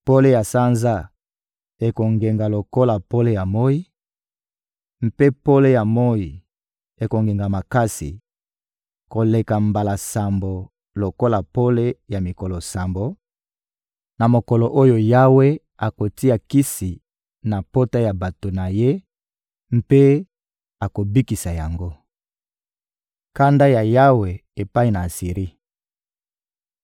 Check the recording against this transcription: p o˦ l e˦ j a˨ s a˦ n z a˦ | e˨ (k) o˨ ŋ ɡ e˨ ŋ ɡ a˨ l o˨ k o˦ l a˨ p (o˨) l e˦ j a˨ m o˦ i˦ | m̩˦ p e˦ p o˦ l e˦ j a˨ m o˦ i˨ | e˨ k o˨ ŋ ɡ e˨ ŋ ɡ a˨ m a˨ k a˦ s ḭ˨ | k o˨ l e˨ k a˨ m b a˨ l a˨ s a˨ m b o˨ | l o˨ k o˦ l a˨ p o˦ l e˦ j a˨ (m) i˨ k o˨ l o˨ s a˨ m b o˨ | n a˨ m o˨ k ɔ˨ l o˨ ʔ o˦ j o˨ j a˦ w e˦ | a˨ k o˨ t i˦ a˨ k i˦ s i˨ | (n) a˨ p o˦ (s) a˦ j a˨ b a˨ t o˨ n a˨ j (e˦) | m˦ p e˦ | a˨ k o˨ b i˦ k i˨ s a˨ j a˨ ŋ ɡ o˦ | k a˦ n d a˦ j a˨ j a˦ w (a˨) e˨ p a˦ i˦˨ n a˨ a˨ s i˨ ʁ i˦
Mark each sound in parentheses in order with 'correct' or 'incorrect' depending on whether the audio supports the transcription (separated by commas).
correct, incorrect, correct, correct, incorrect, correct, incorrect